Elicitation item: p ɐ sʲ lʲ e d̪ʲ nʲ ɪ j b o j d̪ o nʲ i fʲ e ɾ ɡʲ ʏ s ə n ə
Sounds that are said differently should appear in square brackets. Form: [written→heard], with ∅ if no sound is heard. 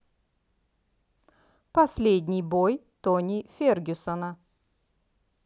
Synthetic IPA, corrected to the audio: p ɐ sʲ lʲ e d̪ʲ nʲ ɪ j b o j [d̪→t̪] o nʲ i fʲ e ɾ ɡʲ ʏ s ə n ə